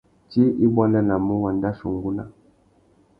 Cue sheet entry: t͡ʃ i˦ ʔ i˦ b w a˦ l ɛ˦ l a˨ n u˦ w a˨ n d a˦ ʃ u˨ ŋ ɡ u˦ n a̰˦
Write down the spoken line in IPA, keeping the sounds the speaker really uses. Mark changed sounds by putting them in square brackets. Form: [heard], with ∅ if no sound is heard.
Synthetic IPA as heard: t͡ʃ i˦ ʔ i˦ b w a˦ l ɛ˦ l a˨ [m] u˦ w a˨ n d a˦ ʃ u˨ ŋ ɡ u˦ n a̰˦